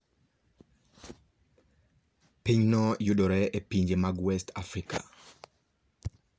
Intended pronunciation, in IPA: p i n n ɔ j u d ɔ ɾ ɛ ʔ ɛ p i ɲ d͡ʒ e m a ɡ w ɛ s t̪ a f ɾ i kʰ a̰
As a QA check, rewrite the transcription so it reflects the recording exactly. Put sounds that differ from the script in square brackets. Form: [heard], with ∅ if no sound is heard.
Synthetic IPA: p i [ɲ] n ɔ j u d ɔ ɾ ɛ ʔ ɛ p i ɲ d͡ʒ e m a ɡ w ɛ s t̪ a f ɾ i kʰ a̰